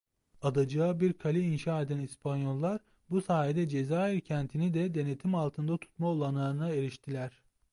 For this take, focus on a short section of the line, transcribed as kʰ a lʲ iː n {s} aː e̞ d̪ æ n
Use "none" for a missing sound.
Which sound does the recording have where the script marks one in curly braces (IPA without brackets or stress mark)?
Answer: ʃ